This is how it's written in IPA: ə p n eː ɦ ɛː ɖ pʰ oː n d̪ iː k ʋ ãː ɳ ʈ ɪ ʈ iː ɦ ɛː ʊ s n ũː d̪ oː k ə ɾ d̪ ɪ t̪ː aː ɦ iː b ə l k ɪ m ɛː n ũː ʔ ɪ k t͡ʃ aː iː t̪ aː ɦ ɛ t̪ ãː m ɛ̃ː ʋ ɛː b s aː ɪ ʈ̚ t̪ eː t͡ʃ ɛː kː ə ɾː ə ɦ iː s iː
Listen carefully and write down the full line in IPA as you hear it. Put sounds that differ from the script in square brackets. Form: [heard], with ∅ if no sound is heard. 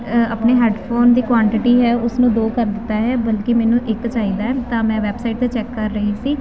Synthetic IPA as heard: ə p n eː ɦ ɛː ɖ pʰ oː n d̪ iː k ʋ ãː ɳ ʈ ɪ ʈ iː ɦ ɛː ʊ s n ũː d̪ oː k ə ɾ d̪ ɪ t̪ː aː ɦ [ɛː] b ə l k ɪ m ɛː n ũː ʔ ɪ k t͡ʃ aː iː [d̪] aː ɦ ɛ t̪ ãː m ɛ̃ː ʋ ɛː b s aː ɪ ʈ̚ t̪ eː t͡ʃ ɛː kː ə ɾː ə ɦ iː s iː